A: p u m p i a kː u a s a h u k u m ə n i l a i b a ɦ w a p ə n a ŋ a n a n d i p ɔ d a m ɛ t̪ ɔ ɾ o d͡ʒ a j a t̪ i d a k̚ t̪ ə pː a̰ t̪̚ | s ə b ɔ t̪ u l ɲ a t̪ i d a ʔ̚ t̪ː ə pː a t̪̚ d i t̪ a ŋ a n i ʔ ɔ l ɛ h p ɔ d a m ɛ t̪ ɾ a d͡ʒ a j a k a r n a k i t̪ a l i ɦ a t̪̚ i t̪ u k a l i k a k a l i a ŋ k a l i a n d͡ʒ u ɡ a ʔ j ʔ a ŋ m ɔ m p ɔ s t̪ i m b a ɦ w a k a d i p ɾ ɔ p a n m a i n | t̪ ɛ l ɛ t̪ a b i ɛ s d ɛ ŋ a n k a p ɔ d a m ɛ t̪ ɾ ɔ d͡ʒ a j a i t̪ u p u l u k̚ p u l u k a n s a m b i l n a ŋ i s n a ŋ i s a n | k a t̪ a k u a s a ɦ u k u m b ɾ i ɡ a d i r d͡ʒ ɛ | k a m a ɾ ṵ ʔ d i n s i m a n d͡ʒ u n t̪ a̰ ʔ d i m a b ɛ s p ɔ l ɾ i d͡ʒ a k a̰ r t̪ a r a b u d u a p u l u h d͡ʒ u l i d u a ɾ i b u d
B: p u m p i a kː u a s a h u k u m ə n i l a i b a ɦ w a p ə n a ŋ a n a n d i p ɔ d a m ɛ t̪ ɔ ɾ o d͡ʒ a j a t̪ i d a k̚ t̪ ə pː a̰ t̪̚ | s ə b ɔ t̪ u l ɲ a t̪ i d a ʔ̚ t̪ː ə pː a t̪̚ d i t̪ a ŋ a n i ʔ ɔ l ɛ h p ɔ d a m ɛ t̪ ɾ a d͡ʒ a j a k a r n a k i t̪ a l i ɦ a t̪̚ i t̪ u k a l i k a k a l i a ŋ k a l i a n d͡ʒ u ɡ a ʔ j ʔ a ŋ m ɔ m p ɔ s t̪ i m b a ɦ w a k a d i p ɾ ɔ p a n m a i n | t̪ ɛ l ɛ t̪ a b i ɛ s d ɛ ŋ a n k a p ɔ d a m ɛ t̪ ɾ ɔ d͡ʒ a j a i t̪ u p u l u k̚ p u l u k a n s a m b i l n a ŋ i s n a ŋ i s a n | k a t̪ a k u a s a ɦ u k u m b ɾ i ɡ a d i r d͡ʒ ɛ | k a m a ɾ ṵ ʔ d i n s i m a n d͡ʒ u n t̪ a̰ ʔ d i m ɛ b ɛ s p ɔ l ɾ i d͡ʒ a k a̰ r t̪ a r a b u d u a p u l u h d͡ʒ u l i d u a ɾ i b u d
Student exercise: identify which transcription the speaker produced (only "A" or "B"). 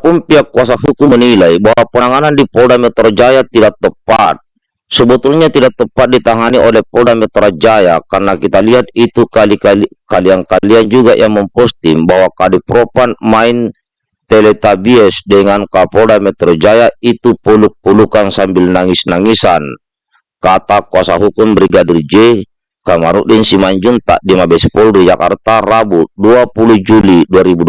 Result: A